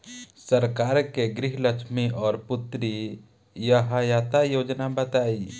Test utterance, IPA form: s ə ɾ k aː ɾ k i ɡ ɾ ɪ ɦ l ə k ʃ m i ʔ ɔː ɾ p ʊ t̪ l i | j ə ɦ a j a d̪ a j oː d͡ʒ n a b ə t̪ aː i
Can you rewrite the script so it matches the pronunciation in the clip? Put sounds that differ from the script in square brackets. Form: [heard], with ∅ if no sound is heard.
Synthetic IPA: s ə ɾ k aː ɾ k [e] ɡ ɾ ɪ ɦ l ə k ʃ m i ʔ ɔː ɾ p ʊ t̪ [ɾ] i | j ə ɦ a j a [t̪] a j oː d͡ʒ n a b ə t̪ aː i